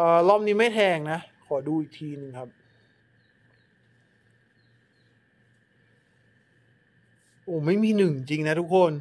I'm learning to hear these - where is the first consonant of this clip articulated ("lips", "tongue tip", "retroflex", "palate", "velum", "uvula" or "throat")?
throat